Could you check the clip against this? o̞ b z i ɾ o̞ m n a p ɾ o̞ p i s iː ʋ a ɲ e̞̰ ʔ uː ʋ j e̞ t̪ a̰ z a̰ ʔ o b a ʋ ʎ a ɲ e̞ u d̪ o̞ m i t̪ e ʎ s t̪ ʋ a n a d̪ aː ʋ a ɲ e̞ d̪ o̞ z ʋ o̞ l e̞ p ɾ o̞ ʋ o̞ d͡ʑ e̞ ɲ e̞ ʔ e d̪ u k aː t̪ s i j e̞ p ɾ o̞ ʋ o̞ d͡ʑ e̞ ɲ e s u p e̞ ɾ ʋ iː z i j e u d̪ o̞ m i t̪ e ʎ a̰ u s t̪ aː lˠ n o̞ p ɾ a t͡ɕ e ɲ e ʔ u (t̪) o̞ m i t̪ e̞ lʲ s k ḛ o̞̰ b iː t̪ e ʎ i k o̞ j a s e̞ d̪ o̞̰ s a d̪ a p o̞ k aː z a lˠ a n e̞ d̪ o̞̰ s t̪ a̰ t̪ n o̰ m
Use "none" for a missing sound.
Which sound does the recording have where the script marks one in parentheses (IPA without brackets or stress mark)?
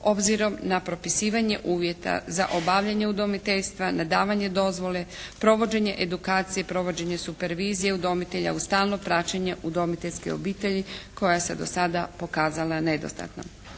d̪